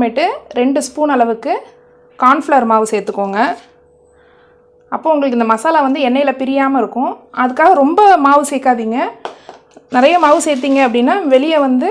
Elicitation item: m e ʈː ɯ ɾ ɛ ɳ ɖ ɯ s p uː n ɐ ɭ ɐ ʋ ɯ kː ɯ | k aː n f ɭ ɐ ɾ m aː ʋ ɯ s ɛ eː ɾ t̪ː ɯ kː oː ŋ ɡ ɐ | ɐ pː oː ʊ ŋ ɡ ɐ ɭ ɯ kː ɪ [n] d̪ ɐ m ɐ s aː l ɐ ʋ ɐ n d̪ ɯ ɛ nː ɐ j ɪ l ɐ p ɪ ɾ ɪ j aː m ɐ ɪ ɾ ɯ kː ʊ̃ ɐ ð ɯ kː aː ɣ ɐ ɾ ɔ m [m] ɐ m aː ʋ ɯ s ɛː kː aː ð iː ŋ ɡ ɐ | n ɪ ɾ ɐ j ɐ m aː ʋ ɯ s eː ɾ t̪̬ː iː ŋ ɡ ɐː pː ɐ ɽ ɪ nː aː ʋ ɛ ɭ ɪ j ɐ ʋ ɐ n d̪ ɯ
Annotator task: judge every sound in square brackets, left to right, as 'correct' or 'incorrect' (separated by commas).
correct, incorrect